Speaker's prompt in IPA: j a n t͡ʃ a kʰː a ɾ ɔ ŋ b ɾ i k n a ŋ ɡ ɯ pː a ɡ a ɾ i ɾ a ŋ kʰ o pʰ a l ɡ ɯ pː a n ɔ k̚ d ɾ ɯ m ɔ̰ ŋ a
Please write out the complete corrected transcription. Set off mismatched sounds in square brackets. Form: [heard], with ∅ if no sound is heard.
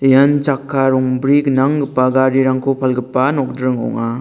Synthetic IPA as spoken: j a n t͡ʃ a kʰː a ɾ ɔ ŋ b ɾ i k n a ŋ ɡ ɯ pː a ɡ a ɾ i ɾ a ŋ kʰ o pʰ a l ɡ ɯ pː a n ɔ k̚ d ɾ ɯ [ŋ] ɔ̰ ŋ a

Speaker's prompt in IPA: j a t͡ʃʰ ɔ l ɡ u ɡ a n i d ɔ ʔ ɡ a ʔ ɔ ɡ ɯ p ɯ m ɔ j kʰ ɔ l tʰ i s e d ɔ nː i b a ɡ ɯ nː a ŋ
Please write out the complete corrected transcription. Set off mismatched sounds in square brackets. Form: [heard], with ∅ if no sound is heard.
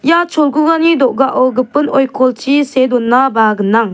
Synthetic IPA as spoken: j a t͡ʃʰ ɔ l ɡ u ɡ a n i d ɔ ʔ ɡ a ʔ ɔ ɡ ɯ p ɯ [n] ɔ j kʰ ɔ l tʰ i s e d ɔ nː [a] b a ɡ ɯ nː a ŋ

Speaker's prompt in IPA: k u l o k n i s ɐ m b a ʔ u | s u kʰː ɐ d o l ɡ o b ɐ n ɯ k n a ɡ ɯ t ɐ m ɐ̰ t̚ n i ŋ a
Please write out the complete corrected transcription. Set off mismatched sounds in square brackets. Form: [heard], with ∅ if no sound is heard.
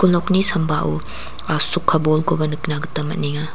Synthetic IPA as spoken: k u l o k n i s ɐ m b a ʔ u | s u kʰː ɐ [b] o l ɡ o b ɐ n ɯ k n a ɡ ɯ t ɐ m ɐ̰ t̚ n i ŋ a

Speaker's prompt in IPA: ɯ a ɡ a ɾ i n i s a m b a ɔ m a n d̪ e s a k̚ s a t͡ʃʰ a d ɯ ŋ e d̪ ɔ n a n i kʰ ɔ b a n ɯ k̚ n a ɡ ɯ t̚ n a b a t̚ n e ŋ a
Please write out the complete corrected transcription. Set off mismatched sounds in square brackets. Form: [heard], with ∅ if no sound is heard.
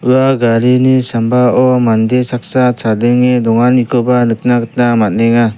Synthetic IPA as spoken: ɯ a ɡ a ɾ i n i s a m b a ɔ m a n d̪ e s a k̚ s a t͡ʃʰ a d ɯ ŋ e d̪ ɔ [ŋ] a n i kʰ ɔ b a n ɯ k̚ n a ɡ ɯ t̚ n a [m] a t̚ n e ŋ a

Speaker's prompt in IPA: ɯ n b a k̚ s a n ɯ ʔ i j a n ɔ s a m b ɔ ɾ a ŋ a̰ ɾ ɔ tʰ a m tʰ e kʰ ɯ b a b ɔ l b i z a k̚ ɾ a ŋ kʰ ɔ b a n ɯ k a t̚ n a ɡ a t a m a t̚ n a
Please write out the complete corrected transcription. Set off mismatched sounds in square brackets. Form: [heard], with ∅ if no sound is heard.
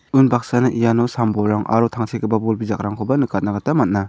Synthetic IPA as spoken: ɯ n b a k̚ s a n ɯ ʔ i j a n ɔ s a m b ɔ ɾ a ŋ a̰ ɾ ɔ tʰ a [ŋ] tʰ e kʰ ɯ b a b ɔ l b i z a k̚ ɾ a ŋ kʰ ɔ b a n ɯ k a t̚ n a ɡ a t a m a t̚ n a

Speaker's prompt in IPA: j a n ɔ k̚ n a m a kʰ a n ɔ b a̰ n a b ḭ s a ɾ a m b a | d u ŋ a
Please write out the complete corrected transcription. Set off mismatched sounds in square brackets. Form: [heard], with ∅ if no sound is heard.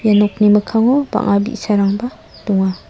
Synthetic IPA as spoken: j a n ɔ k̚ n [i] m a kʰ a [ŋ] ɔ b a̰ [ŋ] a b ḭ s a ɾ a [ŋ] b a | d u ŋ a

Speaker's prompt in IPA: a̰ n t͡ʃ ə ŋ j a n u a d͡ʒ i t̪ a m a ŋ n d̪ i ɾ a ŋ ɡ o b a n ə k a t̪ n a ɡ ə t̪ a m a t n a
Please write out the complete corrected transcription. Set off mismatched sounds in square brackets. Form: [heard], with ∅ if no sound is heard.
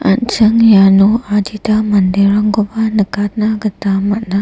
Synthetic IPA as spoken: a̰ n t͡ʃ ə ŋ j a n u a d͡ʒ i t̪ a m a [∅] n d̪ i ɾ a ŋ ɡ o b a n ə k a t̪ n a ɡ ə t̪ a m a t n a

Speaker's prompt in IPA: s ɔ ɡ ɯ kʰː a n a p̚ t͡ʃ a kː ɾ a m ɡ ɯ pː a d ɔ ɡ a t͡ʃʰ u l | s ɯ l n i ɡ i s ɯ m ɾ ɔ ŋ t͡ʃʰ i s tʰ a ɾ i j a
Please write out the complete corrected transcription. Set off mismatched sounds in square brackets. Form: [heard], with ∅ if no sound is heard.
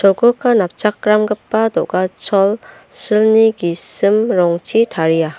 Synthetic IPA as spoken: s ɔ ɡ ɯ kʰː a n a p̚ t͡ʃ a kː ɾ a m ɡ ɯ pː a d ɔ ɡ a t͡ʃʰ [ɔ] l | s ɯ l n i ɡ i s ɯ m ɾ ɔ ŋ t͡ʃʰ i [∅] tʰ a ɾ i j a

